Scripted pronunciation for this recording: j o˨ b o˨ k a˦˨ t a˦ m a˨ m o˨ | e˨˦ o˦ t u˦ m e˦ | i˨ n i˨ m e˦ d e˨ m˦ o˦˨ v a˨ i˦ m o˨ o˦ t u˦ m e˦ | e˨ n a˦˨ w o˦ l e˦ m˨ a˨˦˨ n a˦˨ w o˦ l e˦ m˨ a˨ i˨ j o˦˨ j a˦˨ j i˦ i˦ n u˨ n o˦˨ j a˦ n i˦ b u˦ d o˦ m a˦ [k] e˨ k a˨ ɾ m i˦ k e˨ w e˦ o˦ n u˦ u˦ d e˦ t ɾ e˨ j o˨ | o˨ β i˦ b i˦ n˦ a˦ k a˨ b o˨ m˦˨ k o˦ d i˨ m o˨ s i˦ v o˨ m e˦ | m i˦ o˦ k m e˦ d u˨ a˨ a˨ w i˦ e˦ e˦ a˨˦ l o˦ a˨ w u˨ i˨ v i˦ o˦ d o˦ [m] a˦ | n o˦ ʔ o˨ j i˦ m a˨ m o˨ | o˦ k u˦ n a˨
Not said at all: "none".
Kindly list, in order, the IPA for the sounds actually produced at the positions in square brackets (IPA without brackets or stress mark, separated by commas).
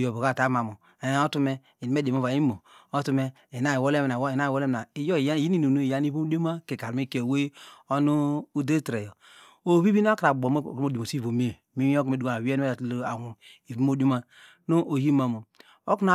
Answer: k, m